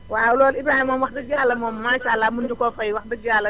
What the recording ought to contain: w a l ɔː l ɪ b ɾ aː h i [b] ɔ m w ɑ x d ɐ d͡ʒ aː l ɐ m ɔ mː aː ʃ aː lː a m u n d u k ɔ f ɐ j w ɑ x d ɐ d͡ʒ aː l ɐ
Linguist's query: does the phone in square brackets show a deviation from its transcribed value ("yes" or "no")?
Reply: yes